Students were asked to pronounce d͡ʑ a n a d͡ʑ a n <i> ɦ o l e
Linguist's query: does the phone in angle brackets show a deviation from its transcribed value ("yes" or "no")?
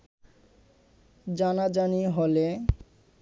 no